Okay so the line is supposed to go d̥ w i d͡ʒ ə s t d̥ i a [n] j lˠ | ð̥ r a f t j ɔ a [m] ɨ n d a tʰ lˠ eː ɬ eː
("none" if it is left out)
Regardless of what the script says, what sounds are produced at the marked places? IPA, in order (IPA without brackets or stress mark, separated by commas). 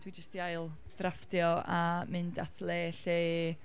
none, m